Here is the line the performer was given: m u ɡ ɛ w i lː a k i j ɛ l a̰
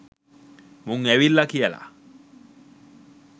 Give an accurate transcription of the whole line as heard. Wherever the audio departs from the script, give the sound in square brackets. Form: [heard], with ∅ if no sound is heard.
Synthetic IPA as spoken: m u [ŋ] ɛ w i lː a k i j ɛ l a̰